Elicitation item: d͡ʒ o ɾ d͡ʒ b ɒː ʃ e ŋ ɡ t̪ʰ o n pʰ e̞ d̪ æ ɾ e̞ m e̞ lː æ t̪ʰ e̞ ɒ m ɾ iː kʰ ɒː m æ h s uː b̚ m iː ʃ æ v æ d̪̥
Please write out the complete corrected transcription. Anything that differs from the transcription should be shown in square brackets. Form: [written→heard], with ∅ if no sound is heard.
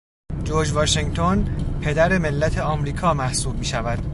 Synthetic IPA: d͡ʒ o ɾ d͡ʒ [b→v] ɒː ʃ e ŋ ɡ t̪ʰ o n pʰ e̞ d̪ æ ɾ e̞ m e̞ lː æ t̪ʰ e̞ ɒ m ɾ iː kʰ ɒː m æ h s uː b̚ m iː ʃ æ v æ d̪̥